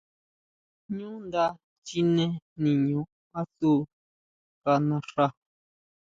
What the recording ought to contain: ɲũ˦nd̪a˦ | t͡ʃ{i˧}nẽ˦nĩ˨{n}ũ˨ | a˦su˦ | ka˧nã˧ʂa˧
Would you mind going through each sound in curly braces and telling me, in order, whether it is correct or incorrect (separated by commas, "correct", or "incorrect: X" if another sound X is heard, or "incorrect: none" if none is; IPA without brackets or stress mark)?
correct, incorrect: ɲ